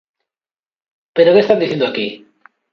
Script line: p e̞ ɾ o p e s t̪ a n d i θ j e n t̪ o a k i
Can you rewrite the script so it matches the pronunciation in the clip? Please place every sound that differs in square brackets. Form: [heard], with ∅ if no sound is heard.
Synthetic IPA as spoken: p e̞ ɾ o [k] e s t̪ a n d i θ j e n [d̪] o a k i